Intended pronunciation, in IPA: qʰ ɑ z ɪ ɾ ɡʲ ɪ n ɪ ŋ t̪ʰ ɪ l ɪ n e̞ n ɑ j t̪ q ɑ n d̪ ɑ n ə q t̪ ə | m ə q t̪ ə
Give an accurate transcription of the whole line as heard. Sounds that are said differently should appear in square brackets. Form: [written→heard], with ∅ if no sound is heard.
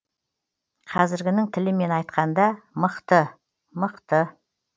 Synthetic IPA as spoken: qʰ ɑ z ɪ ɾ ɡʲ ɪ n ɪ ŋ t̪ʰ ɪ l ɪ [n→m] e̞ n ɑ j t̪ q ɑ n d̪ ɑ [n→m] ə q t̪ ə | m ə q t̪ ə